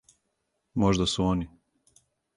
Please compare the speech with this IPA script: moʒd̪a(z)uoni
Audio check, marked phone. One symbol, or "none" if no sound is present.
s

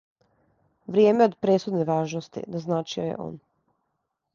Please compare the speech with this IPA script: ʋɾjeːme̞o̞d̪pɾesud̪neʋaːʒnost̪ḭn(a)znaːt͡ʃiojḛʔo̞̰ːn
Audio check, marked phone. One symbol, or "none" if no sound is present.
a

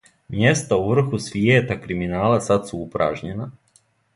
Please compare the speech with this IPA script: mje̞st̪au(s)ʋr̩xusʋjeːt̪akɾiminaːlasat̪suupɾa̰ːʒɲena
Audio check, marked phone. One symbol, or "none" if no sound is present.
none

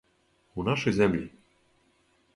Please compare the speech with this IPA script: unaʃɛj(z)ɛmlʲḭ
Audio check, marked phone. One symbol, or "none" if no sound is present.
z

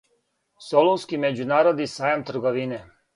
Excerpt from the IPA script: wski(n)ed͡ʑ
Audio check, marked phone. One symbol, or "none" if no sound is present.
m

